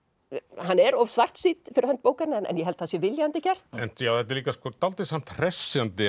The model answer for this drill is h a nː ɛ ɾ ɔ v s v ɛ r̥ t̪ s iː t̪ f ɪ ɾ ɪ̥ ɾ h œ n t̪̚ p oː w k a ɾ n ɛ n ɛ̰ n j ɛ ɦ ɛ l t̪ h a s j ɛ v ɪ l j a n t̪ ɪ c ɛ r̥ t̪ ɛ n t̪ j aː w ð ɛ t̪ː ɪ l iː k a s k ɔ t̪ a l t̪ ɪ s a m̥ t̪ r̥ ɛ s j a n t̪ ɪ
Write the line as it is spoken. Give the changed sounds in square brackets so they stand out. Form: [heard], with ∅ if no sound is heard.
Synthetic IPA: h a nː ɛ ɾ ɔ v s v [a] r̥ t̪ s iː t̪ f ɪ ɾ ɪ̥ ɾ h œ n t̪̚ p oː w k a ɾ n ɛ n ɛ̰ n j ɛ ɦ ɛ l t̪ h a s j ɛ v ɪ l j a n t̪ ɪ c ɛ r̥ t̪ ɛ n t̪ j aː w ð ɛ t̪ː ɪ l iː k a s k ɔ t̪ a l t̪ ɪ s a m̥ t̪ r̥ ɛ s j a n t̪ ɪ

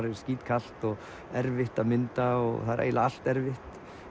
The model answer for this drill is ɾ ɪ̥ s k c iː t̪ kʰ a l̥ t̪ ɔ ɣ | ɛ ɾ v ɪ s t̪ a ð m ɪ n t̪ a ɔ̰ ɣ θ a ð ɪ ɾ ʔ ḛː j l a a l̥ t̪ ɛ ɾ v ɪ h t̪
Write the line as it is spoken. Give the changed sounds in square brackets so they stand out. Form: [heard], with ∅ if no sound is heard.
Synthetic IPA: ɾ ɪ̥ s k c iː t̪ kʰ a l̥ t̪ ɔ ɣ | ɛ ɾ v ɪ [h] t̪ a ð m ɪ n t̪ a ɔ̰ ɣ θ a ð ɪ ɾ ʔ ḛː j l a a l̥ t̪ ɛ ɾ v ɪ h t̪

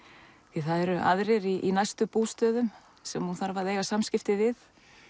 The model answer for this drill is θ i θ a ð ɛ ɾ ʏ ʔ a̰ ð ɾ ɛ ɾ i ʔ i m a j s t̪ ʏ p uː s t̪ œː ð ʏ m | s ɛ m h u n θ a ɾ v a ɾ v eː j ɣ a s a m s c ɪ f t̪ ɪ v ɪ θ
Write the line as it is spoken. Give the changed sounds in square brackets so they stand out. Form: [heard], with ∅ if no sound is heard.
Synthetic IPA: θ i θ a ð ɛ ɾ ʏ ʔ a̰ ð ɾ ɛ ɾ i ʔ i [n] a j s t̪ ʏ p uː s t̪ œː ð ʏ m | s ɛ m h u n θ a ɾ v a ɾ [ð] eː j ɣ a s a m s c ɪ f t̪ ɪ v ɪ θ

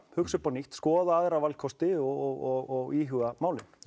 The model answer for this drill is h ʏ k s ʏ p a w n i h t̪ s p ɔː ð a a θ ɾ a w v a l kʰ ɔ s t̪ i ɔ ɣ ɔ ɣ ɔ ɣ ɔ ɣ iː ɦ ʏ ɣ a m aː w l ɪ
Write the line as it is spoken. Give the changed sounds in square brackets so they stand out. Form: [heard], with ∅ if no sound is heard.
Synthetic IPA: h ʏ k s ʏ p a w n i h t̪ s [k] ɔː ð a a [ð] ɾ a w v a l kʰ ɔ s t̪ [ɪ] ɔ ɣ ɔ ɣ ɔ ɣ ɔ ɣ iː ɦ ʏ ɣ a m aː w l ɪ

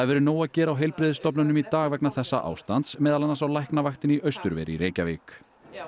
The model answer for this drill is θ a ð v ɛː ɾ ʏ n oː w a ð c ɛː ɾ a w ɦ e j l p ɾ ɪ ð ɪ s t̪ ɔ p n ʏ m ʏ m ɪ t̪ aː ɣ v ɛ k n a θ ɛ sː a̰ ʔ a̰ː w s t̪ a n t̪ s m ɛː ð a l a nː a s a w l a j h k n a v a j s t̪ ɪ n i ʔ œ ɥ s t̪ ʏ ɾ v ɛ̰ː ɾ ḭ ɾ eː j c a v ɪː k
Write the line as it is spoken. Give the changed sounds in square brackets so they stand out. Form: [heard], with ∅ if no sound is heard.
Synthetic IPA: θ a ð v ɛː ɾ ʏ n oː w a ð c ɛː ɾ a w ɦ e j l p ɾ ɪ ð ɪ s t̪ ɔ p n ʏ [n] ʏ m [i] t̪ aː ɣ v ɛ k n a θ ɛ sː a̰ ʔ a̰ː w s t̪ a n t̪ s m ɛː ð a l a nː a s a w l a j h k n a v a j [x] t̪ ɪ n i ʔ œ ɥ s t̪ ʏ ɾ v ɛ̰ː ɾ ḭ ɾ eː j c a v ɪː k

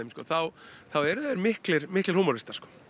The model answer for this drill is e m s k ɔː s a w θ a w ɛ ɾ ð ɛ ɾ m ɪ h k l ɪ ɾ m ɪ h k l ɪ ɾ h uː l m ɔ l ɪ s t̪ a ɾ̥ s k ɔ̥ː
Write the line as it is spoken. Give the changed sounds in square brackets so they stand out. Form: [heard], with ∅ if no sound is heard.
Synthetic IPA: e m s k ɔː [θ] a w θ a w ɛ ɾ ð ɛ ɾ m ɪ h k l ɪ ɾ m ɪ h k l ɪ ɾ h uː [∅] m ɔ [ɾ] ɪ s t̪ a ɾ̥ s k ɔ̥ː

